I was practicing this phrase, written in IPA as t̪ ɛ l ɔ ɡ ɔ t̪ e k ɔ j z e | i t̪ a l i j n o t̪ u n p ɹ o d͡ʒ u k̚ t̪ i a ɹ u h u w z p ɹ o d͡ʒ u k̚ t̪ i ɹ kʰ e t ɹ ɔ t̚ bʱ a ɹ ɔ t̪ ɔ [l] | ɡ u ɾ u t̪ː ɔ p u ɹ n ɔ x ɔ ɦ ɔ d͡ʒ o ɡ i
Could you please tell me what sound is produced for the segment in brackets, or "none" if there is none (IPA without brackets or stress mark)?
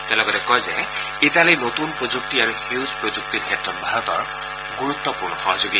ɹ